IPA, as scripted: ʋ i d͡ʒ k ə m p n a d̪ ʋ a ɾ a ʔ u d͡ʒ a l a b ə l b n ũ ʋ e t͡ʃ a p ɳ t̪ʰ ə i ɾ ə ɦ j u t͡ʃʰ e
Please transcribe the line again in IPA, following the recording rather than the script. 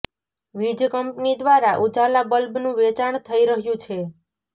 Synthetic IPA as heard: ʋ i d͡ʒ k ə m p n i d̪ ʋ a ɾ a ʔ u d͡ʒ a l a b ə l b n ũ ʋ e t͡ʃ a ɳ t̪ʰ ə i ɾ ə ɦ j ũ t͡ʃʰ e

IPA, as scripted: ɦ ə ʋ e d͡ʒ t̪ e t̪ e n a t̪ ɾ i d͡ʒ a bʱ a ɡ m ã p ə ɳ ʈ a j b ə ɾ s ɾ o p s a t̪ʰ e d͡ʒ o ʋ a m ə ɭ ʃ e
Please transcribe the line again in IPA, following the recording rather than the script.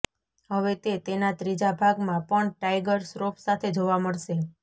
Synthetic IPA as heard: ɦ ə ʋ e t̪ e t̪ e n a t̪ ɾ i d͡ʒ a bʱ a ɡ m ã p ə ɳ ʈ a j ɡ ə ɾ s ɾ o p s a t̪ʰ e d͡ʒ o ʋ a m ə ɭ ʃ e

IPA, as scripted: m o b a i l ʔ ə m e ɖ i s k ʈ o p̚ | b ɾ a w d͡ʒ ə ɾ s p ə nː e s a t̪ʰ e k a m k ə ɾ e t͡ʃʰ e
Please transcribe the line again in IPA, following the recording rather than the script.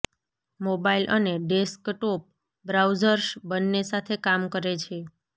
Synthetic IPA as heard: m o b a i l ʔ ə n e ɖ e s k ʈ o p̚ | b ɾ a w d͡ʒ ə ɾ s b ə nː e s a t̪ʰ e k a m k ə ɾ e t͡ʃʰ e

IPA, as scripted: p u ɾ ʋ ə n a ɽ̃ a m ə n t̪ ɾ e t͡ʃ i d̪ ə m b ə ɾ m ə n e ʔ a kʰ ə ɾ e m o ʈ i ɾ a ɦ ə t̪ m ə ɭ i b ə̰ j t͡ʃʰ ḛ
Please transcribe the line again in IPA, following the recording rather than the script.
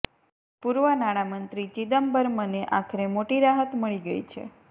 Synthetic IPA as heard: p u ɾ ʋ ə n a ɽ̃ a m ə n t̪ ɾ i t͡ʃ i d̪ ə m b ə ɾ m ə n e ʔ a kʰ ə ɾ e m o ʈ i ɾ a ɦ ə t̪ m ə ɭ i ɡ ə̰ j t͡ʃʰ ḛ

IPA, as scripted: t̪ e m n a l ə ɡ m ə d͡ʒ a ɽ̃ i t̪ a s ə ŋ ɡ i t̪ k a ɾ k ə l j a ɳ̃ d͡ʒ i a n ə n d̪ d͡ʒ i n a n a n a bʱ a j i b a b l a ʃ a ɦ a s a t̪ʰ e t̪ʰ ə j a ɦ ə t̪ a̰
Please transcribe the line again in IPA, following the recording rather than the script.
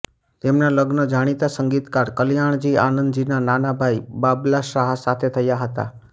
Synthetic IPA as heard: t̪ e m n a l ə ɡ n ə d͡ʒ a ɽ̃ i t̪ a s ə ŋ ɡ i t̪ k a ɾ k ə l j a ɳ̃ d͡ʒ i a n ə n d̪ d͡ʒ i n a n a n a bʱ a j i b a b l a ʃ a ɦ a s a t̪ʰ e t̪ʰ ə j a ɦ ə t̪ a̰

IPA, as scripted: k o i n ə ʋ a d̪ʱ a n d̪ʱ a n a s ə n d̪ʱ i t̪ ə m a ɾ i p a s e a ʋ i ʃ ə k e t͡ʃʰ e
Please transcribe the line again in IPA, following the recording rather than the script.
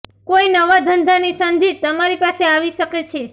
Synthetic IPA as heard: k o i n ə ʋ a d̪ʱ ə n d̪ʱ a n i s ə n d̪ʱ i t̪ ə m a ɾ i p a s e a ʋ i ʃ ə k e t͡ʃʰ e

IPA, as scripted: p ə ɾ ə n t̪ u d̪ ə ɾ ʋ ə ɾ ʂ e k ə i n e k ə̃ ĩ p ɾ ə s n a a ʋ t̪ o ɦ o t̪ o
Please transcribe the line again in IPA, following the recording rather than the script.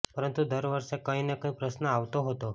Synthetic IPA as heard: p ə ɾ ə n t̪ u d̪ ə ɾ ʋ ə ɾ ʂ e k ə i n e k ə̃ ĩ p ɾ ə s n ə a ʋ t̪ o ɦ o t̪ o

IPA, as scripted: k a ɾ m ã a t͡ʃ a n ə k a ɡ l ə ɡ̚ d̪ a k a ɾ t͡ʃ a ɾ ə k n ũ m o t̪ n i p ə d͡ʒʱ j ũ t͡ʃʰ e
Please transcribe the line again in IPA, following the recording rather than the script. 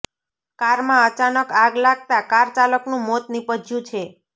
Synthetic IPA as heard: k a ɾ m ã ə t͡ʃ a n ə k a ɡ l a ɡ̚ t̪ a k a ɾ t͡ʃ a l ə k n ũ m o t̪ n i p ə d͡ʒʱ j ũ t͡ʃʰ e

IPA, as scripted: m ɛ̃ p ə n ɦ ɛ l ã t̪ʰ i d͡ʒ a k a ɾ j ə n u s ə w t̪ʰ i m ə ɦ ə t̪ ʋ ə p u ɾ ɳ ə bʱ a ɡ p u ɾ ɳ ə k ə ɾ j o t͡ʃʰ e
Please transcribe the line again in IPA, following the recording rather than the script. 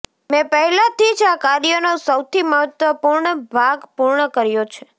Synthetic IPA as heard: m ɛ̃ p ə ɦ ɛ l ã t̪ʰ i d͡ʒ a k a ɾ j ə n o s ə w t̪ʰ i m ə ɦ ə t̪ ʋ ə p u ɾ ɳ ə bʱ a ɡ p u ɾ ɳ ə k ə ɾ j o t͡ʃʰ e

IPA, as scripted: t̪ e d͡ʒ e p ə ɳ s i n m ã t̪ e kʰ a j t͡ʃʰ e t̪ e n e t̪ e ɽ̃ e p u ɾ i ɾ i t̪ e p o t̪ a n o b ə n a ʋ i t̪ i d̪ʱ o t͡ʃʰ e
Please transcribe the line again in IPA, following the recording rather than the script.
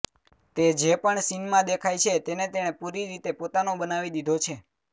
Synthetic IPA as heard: t̪ e d͡ʒ e p ə ɳ s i n m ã d̪ e kʰ a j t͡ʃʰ e t̪ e n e t̪ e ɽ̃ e p u ɾ i ɾ i t̪ e p o t̪ a n o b ə n a ʋ i d̪ i d̪ʱ o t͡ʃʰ e

